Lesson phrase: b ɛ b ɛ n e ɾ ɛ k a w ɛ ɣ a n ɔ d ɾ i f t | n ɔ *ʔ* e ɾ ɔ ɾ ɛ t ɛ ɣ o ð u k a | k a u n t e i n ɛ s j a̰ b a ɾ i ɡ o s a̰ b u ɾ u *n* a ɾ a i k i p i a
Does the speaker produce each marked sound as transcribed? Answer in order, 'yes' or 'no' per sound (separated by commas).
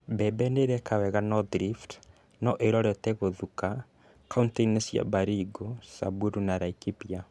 yes, yes